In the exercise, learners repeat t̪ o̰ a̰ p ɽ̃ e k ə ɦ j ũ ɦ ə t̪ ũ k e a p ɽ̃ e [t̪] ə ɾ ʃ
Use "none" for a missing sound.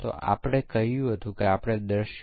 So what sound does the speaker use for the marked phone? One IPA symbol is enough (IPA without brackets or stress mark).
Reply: d̪